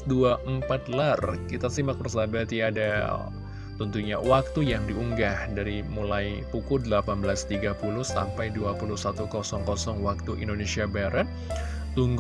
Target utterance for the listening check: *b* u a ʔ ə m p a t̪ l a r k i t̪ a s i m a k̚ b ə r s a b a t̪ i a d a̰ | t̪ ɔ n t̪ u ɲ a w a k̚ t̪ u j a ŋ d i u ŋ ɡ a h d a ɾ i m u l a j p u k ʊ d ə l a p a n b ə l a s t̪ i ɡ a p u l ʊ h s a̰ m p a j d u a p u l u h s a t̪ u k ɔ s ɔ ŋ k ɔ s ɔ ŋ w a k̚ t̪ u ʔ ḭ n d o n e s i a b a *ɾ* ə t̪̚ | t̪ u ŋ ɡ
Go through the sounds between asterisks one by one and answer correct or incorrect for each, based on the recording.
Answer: incorrect: d, correct

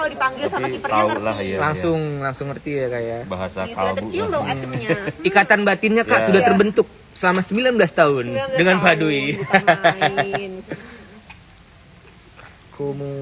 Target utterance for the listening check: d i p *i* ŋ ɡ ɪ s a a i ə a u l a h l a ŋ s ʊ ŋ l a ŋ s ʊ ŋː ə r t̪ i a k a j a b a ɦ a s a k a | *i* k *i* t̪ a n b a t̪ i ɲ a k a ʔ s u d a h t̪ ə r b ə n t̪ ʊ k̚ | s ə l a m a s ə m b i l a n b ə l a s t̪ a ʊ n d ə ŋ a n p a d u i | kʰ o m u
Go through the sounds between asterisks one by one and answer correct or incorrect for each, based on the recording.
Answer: incorrect: a, correct, incorrect: a

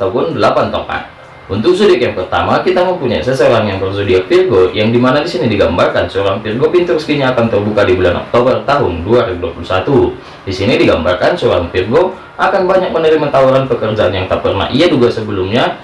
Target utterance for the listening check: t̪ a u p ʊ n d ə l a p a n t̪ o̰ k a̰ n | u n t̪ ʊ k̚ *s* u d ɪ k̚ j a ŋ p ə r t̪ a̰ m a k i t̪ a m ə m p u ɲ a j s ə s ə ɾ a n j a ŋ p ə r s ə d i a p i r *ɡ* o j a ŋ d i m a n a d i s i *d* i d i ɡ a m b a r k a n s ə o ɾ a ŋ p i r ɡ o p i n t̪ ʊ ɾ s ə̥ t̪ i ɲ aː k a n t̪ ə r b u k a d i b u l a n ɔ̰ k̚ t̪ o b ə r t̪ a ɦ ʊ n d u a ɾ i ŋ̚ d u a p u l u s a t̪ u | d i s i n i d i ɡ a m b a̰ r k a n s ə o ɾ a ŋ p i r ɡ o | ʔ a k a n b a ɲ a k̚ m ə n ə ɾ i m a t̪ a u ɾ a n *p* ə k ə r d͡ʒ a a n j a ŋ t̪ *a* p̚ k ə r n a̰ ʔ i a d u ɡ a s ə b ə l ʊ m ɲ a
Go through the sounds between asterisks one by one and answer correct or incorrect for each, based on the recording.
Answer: correct, correct, incorrect: n, correct, correct

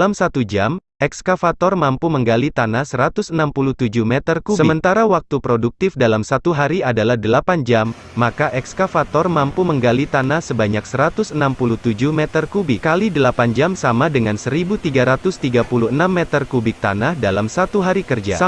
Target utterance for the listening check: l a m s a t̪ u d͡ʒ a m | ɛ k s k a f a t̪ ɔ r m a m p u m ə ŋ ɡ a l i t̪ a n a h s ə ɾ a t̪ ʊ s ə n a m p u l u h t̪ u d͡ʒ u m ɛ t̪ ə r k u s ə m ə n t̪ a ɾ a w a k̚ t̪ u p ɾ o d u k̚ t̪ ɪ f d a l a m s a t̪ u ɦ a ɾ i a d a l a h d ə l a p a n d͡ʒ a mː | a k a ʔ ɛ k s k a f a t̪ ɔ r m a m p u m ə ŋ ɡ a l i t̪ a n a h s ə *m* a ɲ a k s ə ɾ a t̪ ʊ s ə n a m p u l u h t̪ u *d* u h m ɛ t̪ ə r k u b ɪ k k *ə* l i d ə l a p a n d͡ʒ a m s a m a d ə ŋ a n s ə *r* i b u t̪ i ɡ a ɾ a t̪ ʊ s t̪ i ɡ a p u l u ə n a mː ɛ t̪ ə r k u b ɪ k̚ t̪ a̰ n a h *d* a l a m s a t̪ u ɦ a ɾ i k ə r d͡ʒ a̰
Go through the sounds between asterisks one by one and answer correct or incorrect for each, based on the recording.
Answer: incorrect: b, incorrect: d͡ʒ, incorrect: a, incorrect: ɾ, correct

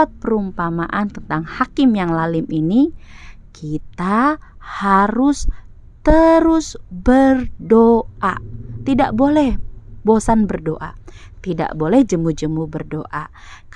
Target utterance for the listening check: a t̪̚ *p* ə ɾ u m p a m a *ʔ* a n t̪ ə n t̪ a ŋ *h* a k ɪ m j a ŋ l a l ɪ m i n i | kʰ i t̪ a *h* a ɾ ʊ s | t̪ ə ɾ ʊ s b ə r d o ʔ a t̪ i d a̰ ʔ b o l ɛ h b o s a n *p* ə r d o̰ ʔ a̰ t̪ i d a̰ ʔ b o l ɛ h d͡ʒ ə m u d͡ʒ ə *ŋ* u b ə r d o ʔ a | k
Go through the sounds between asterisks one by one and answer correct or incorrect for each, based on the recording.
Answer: correct, correct, correct, correct, incorrect: b, incorrect: m

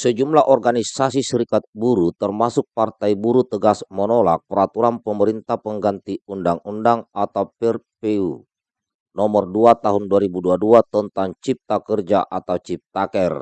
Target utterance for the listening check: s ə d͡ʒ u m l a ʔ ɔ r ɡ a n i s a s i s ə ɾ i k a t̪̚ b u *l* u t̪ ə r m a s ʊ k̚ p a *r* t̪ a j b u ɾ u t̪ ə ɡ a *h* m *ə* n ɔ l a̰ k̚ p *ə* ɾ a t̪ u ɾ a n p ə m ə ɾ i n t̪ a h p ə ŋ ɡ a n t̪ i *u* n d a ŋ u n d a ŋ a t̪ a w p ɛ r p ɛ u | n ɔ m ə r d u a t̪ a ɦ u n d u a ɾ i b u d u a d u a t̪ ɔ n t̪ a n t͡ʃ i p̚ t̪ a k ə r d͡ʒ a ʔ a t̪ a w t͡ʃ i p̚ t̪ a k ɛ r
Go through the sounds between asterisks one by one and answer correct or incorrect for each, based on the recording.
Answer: incorrect: ɾ, correct, incorrect: s, correct, correct, correct

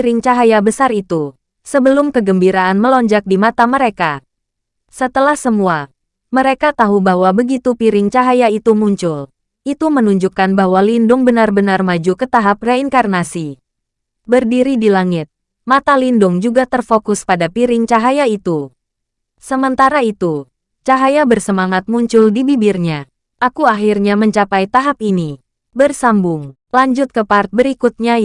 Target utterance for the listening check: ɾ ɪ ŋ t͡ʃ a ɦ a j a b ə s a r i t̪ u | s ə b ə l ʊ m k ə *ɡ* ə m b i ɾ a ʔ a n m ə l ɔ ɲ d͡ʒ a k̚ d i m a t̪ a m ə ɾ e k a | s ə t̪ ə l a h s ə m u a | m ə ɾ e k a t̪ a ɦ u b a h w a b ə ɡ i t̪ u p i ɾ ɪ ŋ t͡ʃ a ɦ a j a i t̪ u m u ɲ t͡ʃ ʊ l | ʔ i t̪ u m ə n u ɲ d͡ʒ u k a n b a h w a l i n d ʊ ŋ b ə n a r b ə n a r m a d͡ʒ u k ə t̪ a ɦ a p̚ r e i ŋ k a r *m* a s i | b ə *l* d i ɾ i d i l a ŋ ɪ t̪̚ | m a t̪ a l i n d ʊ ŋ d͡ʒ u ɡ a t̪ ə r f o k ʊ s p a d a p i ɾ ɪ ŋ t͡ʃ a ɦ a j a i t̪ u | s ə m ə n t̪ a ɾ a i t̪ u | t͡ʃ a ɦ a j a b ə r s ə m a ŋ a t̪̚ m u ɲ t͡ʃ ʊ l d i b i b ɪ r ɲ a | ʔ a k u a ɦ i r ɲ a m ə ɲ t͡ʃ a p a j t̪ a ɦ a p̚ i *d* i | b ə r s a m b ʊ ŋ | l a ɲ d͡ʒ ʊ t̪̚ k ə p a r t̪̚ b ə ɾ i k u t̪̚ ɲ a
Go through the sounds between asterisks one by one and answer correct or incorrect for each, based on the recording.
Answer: correct, incorrect: n, incorrect: r, incorrect: n

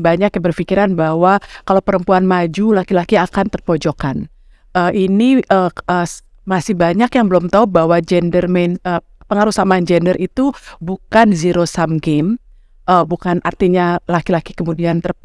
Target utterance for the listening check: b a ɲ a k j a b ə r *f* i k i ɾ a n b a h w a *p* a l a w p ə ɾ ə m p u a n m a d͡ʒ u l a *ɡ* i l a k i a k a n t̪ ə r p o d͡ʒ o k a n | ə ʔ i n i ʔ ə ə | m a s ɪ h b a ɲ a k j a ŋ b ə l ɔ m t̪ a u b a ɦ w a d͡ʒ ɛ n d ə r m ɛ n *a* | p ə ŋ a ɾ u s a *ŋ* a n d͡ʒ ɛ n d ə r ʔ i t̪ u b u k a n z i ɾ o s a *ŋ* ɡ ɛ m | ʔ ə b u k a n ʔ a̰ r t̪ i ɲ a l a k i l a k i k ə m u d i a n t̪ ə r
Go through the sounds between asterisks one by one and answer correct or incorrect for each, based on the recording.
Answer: correct, incorrect: k, incorrect: k, incorrect: ə, incorrect: m, incorrect: m

